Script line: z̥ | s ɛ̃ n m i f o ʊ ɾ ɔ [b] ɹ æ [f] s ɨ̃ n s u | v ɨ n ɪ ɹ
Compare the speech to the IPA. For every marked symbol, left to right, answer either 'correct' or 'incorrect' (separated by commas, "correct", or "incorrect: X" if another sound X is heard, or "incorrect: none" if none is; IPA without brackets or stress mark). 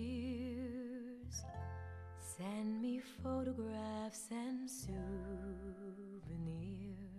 incorrect: ɡ, correct